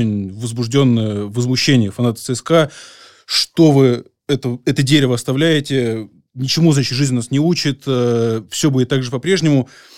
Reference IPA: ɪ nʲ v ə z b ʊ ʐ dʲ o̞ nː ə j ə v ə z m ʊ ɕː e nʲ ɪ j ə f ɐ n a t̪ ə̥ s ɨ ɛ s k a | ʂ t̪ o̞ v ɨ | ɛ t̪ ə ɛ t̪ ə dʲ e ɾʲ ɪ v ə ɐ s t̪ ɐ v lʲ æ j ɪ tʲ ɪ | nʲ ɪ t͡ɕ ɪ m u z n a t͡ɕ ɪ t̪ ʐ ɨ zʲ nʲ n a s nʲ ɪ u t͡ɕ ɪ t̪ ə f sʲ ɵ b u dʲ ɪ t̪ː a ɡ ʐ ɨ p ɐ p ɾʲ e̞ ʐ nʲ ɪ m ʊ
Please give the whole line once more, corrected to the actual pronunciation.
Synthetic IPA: ɪ nʲ v ə z b ʊ ʐ dʲ o̞ nː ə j ə v ə z m ʊ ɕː e nʲ ɪ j ə f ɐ n a t̪ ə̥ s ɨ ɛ s k a | ʂ t̪ o̞ v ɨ | ɛ t̪ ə ɛ t̪ ə dʲ e ɾʲ ɪ v ə ɐ s t̪ ɐ v lʲ æ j ɪ tʲ ɪ | nʲ ɪ t͡ɕ ɪ m u z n a t͡ɕ ɪ t̪ ʐ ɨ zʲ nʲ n a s nʲ ɪ u t͡ɕ ɪ t̪ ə f sʲ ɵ b u dʲ ɪ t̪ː a ɡ ʐ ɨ p ɐ p ɾʲ e̞ ʐ nʲ ɪ m ʊ